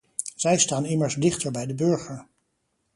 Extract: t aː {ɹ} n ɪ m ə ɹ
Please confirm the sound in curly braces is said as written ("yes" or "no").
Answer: no